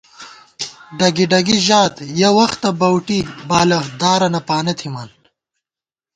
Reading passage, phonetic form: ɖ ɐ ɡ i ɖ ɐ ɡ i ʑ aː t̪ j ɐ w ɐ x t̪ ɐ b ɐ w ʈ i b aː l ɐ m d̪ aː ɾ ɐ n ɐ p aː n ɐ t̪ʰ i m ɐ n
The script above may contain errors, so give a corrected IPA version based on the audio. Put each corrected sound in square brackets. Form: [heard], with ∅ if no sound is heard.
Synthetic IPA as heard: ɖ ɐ ɡ i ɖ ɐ ɡ i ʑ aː t̪ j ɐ w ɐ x t̪ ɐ b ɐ w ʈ i b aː l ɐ [∅] d̪ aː ɾ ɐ n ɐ p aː n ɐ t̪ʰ i m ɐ n